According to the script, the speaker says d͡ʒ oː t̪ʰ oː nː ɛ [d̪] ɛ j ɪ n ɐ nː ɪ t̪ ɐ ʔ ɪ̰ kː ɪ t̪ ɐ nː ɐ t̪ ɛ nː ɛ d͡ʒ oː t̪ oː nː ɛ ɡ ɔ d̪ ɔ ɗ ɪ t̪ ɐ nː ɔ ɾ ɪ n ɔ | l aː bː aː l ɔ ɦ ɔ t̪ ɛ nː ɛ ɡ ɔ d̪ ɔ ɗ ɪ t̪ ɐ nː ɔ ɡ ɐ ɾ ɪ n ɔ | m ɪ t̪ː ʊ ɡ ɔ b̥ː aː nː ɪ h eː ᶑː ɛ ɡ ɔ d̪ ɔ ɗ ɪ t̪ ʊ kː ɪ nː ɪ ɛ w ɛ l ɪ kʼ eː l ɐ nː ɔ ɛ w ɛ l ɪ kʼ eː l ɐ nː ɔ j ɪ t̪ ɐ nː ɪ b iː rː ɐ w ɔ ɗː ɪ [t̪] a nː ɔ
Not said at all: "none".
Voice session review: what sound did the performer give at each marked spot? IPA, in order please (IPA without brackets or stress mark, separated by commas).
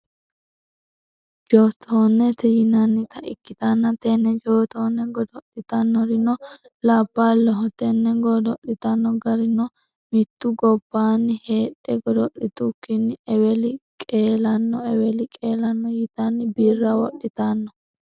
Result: t̪, t̪